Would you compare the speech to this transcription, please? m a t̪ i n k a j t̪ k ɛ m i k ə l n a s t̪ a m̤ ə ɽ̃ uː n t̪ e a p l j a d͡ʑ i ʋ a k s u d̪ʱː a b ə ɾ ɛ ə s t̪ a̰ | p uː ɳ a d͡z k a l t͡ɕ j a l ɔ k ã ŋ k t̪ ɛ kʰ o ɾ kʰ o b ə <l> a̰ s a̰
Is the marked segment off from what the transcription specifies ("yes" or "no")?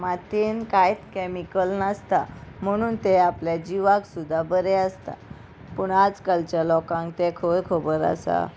yes